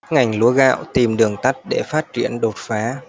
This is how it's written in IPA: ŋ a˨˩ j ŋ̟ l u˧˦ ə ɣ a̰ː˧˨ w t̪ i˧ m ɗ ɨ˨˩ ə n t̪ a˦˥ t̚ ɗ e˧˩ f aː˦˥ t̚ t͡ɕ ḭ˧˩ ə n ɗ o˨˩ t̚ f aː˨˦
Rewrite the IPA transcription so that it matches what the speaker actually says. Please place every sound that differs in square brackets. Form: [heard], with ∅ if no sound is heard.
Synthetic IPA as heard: ŋ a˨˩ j ŋ̟ l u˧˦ ə ɣ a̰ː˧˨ w t̪ [i˨˩] m ɗ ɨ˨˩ ə [ŋ] t̪ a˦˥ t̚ ɗ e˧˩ f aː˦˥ t̚ t͡ɕ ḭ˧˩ ə n ɗ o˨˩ t̚ f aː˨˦